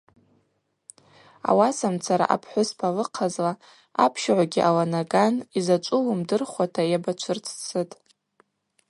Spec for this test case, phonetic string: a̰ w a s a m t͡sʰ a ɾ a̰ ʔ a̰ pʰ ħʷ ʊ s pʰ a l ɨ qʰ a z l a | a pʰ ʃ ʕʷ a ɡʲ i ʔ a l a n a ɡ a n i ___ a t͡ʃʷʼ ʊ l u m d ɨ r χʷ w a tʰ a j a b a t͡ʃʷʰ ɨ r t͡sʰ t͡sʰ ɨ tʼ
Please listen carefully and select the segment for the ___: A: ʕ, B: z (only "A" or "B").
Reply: B